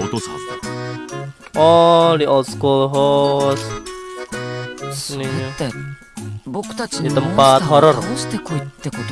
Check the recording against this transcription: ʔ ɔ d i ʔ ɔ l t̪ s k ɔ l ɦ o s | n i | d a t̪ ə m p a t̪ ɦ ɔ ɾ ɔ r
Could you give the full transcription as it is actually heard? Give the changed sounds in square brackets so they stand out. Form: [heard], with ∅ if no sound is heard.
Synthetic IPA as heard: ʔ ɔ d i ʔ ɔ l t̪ s k [u] l ɦ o s | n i | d [i] t̪ ə m p a t̪ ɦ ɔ ɾ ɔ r